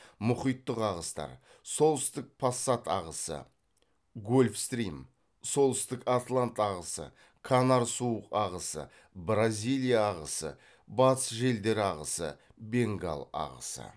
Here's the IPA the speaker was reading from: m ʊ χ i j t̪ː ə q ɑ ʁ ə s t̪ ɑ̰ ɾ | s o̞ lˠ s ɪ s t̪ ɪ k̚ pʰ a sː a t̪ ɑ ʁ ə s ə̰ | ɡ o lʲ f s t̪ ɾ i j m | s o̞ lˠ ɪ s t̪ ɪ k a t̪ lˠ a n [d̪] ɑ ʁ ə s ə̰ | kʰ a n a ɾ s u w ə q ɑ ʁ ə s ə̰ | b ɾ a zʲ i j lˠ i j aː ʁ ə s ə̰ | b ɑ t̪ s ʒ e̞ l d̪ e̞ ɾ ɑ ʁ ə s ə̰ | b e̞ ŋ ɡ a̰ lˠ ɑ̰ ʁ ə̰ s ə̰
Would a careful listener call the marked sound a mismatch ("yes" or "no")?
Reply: yes